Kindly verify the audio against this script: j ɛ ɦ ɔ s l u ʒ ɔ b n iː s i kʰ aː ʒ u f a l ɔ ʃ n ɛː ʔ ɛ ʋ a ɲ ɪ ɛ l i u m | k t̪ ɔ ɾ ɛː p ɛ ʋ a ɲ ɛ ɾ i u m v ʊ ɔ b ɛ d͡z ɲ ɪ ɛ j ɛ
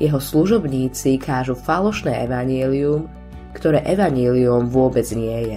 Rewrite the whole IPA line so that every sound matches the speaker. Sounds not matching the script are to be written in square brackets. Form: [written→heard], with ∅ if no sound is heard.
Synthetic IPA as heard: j ɛ ɦ ɔ s l u ʒ ɔ b [n→ɲ] iː [s→t͡s] i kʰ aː ʒ u f a l ɔ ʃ n ɛː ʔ ɛ ʋ a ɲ ɪ ɛ l i u m | k t̪ ɔ ɾ ɛː [p→ʔ] ɛ ʋ a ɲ ɛ [ɾ→l] i u m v ʊ ɔ b ɛ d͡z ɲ ɪ ɛ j ɛ